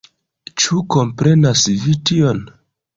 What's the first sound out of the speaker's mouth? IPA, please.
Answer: t͡ʃ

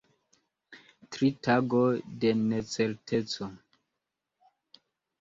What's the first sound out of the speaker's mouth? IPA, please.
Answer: t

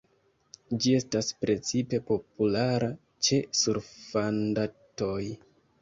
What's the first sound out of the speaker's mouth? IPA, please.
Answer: d͡ʒ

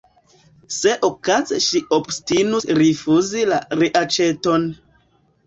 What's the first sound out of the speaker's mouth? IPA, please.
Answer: s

